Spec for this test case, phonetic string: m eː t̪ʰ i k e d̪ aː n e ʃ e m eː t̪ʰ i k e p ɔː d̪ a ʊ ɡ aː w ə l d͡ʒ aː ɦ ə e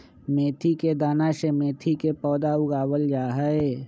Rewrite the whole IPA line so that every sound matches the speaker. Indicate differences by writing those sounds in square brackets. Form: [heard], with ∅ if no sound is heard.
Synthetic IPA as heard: m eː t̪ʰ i k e d̪ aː n [a] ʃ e m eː t̪ʰ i k e p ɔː d̪ a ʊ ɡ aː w ə l d͡ʒ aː ɦ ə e